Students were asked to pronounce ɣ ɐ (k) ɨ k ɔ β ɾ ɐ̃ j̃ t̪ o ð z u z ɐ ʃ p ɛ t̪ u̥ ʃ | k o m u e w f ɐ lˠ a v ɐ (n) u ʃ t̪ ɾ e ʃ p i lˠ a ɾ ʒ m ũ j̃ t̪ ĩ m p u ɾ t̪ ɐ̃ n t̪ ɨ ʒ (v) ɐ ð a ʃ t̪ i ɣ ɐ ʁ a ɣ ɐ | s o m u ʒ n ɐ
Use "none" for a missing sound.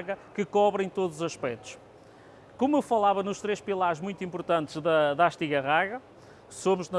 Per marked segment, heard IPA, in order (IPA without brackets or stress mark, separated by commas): k, n, ð